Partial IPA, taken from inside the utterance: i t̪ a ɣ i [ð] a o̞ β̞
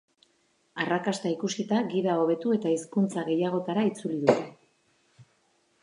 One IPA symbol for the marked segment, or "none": ð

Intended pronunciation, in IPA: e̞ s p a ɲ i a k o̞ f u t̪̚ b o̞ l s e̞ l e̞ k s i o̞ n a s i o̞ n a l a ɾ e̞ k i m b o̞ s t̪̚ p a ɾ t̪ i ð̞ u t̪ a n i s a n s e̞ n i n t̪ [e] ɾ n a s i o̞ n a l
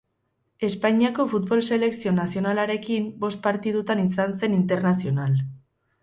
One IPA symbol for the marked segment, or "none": e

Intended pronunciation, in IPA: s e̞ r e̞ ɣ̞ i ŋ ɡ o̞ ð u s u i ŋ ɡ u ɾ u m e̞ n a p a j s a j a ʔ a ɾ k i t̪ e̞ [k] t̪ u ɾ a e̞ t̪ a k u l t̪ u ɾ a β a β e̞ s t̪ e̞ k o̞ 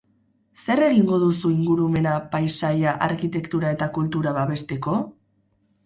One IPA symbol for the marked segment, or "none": k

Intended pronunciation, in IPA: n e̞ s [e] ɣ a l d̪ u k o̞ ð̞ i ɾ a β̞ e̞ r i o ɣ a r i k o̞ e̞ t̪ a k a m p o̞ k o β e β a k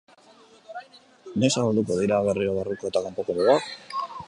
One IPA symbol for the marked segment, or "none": a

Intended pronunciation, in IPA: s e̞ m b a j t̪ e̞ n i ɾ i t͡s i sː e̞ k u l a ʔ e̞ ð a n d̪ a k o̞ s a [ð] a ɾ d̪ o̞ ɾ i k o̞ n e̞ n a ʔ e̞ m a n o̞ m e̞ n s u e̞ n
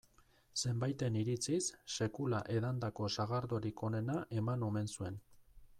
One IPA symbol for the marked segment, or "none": ɣ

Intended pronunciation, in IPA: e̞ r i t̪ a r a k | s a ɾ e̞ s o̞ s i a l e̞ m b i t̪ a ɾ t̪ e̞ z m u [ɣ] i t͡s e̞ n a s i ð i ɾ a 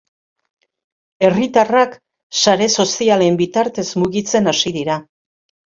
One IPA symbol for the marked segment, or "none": ɣ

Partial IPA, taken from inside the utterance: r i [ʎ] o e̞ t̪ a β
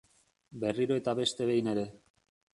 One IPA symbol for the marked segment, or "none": ɾ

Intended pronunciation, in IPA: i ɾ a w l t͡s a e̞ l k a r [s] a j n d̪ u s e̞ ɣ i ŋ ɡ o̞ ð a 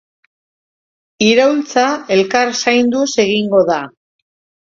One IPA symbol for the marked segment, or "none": s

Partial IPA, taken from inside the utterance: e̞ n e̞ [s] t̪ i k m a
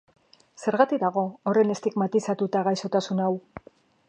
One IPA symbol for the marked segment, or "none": s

